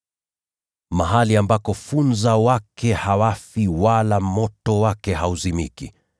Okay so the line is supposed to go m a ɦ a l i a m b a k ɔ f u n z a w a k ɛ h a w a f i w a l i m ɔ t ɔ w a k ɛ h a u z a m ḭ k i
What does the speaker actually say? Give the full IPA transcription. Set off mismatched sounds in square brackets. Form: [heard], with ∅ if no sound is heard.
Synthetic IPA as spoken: m a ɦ a l i a m b a k ɔ f u n z a w a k ɛ h a w a f i w a l [a] m ɔ t ɔ w a k ɛ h a u z [i] m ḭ k i